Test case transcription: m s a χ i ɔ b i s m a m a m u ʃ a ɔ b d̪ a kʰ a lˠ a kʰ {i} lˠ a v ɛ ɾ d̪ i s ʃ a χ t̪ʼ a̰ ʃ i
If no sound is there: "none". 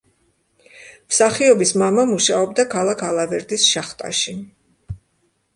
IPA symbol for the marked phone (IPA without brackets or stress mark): a